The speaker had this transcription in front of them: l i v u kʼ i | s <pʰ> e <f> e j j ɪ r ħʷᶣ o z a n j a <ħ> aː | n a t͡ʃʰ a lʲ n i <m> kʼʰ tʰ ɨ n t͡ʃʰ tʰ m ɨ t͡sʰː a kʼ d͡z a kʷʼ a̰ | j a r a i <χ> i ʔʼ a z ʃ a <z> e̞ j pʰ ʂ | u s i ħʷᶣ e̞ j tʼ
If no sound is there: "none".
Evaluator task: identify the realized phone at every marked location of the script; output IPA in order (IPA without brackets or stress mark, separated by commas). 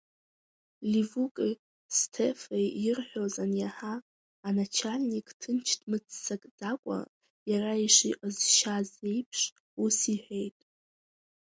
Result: tʰ, f, ħ, none, ʂ, z